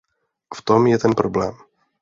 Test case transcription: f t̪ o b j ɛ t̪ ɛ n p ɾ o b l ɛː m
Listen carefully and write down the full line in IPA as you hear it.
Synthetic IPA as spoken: f t̪ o m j ɛ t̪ ɛ n p ɾ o b l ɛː m

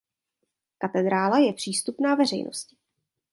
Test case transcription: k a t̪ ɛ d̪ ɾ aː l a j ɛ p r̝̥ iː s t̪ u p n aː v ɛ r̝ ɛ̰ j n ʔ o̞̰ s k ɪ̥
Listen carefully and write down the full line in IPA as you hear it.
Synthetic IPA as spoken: k a t̪ ɛ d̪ ɾ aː l a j ɛ p r̝̥ iː s t̪ u p n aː v ɛ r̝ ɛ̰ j n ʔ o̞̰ s c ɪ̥

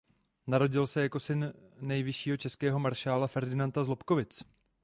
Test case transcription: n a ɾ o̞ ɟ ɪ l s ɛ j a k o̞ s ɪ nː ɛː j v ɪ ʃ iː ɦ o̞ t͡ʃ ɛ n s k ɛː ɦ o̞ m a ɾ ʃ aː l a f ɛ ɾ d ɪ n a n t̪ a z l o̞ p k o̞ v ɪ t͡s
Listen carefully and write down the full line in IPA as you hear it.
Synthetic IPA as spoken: n a ɾ o̞ ɟ ɪ l s ɛ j a k o̞ s ɪ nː ɛ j v ɪ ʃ iː ɦ o̞ t͡ʃ ɛ s k ɛː ɦ o̞ m a ɾ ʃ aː l a f ɛ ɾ d ɪ n a n t̪ a z l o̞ p k o̞ v ɪ t͡s

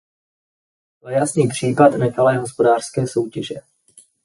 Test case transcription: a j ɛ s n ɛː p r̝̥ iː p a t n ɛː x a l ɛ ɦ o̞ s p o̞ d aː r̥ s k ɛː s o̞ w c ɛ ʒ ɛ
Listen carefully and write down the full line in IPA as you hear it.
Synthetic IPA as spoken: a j a s n iː p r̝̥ iː p a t n ɛ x a l ɛː ɦ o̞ s p o̞ d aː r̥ s k ɛː s o̞ w c ɛ ʒ ɛ

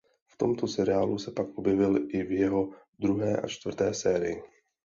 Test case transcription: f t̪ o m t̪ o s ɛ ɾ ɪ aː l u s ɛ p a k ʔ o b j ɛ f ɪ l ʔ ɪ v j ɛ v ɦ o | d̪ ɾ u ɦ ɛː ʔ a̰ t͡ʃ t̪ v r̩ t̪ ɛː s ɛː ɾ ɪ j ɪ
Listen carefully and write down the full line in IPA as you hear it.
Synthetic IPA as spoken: f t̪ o m t̪ o s ɛ ɾ ɪ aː l u s ɛ p a k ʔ o b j ɛ v ɪ l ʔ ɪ v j ɛ ɦ o | d̪ ɾ u ɦ ɛː ʔ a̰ t͡ʃ t̪ v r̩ t̪ ɛː s ɛː ɾ ɪ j ɪ

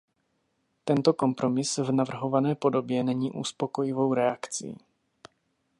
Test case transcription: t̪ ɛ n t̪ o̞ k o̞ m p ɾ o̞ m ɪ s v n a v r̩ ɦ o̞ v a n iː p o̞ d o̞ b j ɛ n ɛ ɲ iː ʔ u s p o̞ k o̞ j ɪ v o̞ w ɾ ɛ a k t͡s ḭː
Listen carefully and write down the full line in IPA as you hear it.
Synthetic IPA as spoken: t̪ ɛ n t̪ o̞ k o̞ m p ɾ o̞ m ɪ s v n a v r̩ ɦ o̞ v a n ɛː p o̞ d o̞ b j ɛ n ɛ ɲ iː ʔ u s p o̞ k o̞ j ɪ v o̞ w ɾ ɛ a k t͡s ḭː

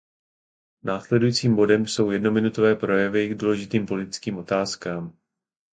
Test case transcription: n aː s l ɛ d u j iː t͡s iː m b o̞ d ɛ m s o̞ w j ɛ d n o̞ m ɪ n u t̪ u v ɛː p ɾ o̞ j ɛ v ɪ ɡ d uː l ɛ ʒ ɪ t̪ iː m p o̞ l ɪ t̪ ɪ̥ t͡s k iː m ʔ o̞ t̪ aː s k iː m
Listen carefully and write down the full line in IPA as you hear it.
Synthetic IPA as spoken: n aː s l ɛ d u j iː t͡s iː m b o̞ d ɛ m s o̞ w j ɛ d n o̞ m ɪ n u t̪ o v ɛː p ɾ o̞ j ɛ v ɪ ɡ d uː l ɛ ʒ ɪ t̪ iː m p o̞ l ɪ t̪ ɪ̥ t͡s k iː m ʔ o̞ t̪ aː s k aː m

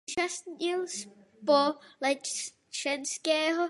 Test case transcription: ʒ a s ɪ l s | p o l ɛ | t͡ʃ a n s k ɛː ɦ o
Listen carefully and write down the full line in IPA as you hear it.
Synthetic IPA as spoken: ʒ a s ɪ l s | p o l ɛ | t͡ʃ ɛ n s k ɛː ɦ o

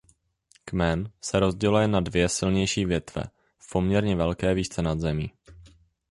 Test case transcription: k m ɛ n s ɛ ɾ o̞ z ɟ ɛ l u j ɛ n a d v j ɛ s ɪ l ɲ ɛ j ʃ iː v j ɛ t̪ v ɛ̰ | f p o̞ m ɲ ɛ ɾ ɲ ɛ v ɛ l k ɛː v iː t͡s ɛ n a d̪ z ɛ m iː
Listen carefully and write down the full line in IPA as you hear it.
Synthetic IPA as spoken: k m ɛ n s ɛ ɾ o̞ z ɟ ɛ l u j ɛ n a d v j ɛ s ɪ l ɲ ɛ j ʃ iː v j ɛ t̪ v ɛ̰ | f p o̞ m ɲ ɛ ɾ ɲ ɛ v ɛ l k ɛː v iː t͡s ɛ n a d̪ z ɛ m iː

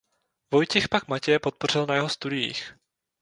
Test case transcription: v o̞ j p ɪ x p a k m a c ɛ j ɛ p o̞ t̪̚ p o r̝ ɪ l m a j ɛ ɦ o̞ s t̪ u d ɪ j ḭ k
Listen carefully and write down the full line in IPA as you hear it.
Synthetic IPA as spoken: v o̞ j c ɪ x p a k m a c ɛ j ɛ p o̞ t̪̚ p o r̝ ɪ l n a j ɛ ɦ o̞ s t̪ u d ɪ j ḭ x

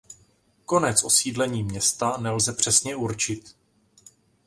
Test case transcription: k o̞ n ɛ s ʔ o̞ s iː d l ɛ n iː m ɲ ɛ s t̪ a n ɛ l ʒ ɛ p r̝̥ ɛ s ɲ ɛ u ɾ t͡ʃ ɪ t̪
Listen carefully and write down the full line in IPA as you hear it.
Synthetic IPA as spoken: k o̞ n ɛ t͡s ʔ o̞ s iː d l ɛ ɲ iː m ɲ ɛ s t̪ a n ɛ l z ɛ p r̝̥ ɛ s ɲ ɛ u ɾ t͡ʃ ɪ t̪

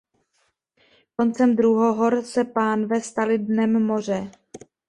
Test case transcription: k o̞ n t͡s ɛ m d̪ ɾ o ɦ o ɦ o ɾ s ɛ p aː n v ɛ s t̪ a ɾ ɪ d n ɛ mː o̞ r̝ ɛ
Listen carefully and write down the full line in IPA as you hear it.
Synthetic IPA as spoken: k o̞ n t͡s ɛ m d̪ ɾ u ɦ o ɦ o ɾ s ɛ p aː n v ɛ s t̪ a l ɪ d n ɛ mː o̞ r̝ ɛ

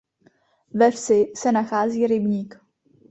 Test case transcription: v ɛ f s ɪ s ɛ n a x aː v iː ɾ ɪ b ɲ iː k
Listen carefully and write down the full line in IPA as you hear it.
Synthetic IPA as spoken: v ɛ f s ɪ s ɛ n a x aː z iː ɾ ɪ b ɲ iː k

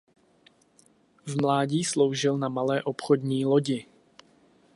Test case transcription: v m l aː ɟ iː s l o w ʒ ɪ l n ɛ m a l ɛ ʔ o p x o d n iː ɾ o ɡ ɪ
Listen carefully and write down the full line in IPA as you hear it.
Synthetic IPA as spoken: v m l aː ɟ iː s l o w ʒ ɪ l n a m a l ɛː ʔ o p x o d ɲ iː l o ɟ ɪ

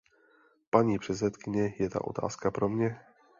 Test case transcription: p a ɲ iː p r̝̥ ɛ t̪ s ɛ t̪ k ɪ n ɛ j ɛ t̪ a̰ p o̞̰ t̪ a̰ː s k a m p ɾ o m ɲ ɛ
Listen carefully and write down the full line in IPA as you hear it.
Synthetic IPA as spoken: p a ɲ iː p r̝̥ ɛ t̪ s ɛ t̪ k ɪ ɲ ɛ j ɛ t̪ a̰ ʔ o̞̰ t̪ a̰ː s k a p ɾ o m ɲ ɛ

